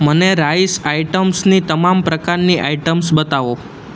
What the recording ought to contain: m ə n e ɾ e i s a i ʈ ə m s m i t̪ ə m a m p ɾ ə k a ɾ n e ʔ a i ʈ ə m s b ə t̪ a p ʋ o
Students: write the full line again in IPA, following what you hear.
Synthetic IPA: m ə n e ɾ a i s a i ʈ ə m s n i t̪ ə m a m p ɾ ə k a ɾ n i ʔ a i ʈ ə m s b ə t̪ a ʋ o